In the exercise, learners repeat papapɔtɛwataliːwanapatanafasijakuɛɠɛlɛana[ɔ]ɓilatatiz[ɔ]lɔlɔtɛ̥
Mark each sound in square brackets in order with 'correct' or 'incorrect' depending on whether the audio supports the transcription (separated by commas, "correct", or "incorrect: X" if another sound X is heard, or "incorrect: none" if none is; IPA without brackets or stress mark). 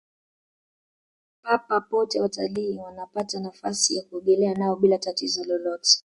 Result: correct, correct